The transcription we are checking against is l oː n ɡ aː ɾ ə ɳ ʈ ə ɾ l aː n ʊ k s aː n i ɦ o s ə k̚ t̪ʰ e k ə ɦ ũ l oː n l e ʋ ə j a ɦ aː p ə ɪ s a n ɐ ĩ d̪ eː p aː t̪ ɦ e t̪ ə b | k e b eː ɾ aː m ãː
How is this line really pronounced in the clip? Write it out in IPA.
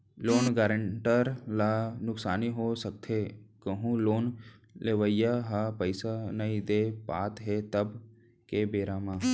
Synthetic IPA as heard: l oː n ɡ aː ɾ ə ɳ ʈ ə ɾ l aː n ʊ k s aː n i ɦ o s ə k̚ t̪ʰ e k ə ɦ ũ l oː n l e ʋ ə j a ɦ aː p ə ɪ s a n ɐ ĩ d̪ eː p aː t̪ ɦ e t̪ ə b | k e b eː ɾ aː m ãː